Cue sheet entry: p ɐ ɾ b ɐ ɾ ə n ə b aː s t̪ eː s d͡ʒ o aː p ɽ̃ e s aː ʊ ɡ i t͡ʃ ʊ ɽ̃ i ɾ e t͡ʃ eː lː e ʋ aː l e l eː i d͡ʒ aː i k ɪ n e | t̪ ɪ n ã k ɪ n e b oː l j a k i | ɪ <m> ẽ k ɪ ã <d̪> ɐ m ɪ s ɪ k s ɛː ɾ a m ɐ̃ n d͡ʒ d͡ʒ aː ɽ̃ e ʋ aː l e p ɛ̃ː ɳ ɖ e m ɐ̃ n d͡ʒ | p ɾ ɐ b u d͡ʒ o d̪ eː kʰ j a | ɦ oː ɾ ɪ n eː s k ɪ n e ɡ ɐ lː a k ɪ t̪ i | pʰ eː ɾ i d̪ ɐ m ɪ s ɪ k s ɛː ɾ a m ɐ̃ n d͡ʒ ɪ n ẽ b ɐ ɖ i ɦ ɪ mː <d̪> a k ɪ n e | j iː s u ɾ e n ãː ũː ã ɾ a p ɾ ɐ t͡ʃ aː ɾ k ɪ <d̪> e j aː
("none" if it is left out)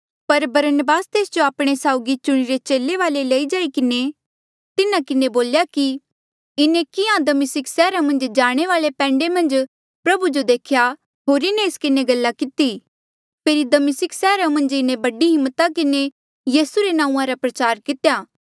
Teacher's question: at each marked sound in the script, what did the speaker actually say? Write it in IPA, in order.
n, d̪, t̪, t̪

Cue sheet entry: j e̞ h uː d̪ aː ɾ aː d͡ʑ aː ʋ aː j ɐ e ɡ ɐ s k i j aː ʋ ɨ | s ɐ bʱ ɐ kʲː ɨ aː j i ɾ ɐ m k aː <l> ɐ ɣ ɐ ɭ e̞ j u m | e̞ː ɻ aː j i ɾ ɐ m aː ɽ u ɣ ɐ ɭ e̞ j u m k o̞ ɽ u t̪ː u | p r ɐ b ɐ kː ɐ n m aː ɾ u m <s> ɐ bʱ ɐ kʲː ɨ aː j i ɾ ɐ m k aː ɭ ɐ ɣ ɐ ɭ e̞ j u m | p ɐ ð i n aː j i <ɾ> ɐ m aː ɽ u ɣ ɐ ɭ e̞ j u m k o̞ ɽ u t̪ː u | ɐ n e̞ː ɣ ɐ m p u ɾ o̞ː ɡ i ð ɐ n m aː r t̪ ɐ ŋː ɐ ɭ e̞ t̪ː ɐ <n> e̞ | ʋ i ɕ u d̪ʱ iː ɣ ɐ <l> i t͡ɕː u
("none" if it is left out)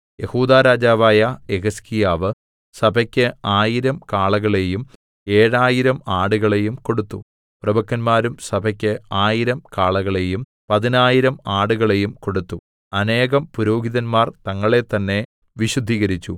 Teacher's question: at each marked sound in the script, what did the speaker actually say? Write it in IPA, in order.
ɭ, s, ɾ, nː, ɾ

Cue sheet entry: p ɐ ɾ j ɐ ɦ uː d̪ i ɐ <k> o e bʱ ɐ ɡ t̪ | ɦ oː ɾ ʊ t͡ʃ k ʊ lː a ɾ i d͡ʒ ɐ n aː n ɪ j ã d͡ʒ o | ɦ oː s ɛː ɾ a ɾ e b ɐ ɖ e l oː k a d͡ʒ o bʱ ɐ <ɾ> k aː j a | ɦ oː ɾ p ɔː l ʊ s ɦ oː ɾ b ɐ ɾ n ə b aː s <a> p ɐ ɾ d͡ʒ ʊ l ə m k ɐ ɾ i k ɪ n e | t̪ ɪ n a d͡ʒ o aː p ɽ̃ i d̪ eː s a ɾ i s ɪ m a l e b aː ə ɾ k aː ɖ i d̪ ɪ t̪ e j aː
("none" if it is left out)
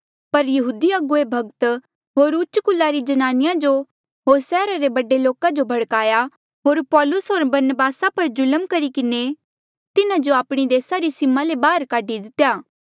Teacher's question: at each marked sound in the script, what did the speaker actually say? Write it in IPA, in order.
ɡ, ɽ, a

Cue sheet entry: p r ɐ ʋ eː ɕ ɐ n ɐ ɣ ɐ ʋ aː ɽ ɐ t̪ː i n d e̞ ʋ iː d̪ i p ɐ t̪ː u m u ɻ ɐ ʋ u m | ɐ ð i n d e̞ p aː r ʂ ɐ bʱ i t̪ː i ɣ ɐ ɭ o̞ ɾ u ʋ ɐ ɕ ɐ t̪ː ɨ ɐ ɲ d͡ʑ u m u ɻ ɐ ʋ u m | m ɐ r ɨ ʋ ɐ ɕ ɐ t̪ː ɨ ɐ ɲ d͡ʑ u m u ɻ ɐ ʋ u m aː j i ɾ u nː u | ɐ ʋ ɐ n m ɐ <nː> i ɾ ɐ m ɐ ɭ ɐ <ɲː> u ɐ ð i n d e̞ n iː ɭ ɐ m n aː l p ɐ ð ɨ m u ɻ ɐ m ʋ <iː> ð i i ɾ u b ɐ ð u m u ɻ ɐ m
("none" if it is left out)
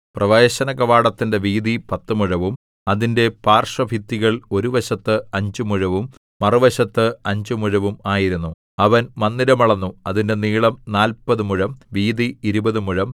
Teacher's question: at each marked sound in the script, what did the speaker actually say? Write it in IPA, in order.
nː, nː, iː

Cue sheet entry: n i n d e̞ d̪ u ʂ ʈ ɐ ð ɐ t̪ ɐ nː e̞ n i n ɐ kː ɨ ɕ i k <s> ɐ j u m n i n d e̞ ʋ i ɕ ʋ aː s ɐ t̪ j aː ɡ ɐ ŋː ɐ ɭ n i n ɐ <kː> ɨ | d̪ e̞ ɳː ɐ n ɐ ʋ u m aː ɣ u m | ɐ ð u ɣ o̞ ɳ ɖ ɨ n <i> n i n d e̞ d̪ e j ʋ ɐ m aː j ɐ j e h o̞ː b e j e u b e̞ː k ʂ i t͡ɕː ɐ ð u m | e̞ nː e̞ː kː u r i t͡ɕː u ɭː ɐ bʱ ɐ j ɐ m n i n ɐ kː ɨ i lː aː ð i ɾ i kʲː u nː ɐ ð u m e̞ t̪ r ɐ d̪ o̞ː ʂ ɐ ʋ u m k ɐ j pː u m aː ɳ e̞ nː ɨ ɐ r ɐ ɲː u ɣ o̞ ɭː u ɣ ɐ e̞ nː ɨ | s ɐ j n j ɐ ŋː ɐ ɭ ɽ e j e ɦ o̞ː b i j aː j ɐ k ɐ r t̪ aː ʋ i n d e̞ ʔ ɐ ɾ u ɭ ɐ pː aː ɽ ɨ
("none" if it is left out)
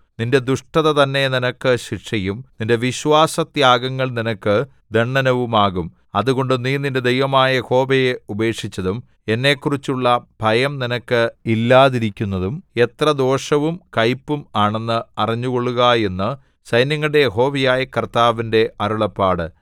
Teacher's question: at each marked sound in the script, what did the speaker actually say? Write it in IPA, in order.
ʂ, kː, iː

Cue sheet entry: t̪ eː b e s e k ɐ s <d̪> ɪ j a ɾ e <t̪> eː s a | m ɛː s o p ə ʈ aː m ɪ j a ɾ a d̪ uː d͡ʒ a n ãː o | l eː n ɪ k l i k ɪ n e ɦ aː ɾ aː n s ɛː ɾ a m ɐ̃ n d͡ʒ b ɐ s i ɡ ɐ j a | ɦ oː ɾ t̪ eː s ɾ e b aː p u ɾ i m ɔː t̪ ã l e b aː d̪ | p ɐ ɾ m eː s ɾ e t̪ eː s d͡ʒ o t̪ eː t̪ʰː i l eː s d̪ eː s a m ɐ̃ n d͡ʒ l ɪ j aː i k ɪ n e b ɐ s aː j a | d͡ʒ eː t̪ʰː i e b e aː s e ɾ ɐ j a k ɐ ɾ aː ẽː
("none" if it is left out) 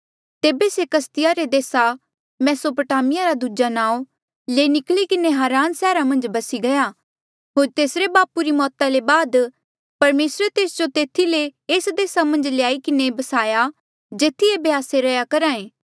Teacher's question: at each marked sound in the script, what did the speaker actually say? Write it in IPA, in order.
t̪, d̪

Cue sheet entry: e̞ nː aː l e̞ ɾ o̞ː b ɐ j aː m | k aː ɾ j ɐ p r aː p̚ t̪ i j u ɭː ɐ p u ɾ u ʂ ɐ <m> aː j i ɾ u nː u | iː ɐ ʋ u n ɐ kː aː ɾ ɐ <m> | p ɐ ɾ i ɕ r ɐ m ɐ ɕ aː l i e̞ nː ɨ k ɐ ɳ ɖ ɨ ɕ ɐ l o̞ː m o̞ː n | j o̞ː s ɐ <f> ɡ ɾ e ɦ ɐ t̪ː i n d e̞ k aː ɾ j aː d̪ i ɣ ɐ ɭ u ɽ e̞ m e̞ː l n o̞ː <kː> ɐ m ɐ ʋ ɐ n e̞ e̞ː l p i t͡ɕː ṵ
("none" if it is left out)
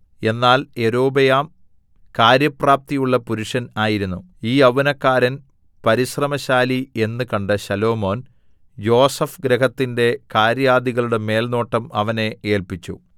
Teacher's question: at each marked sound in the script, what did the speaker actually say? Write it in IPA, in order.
n, n, f, ʈː

